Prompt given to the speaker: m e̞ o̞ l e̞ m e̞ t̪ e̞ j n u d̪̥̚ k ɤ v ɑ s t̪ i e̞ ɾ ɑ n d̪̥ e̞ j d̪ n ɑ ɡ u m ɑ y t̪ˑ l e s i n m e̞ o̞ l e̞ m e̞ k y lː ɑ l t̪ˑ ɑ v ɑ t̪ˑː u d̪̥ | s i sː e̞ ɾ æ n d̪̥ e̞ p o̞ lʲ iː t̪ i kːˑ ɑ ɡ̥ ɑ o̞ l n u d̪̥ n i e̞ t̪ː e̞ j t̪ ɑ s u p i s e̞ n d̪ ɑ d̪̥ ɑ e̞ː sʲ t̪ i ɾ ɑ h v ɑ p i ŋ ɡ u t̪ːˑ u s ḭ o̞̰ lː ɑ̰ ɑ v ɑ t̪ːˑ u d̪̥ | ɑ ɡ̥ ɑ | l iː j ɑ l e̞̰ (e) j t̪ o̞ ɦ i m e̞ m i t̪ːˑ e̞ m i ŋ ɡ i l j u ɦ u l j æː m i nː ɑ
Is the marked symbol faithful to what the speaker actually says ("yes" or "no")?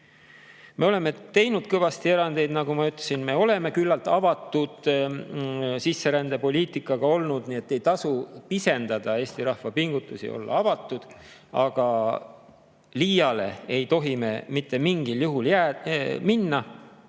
yes